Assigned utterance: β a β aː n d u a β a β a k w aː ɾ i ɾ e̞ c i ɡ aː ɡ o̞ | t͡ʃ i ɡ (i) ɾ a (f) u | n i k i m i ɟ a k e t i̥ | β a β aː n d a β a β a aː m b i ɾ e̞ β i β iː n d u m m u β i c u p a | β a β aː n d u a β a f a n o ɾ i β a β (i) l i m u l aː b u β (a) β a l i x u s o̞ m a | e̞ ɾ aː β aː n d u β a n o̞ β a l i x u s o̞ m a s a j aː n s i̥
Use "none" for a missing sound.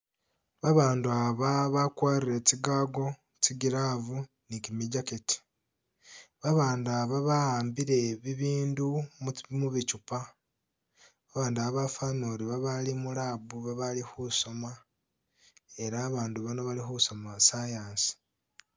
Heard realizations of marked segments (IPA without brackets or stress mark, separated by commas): i, v, a, a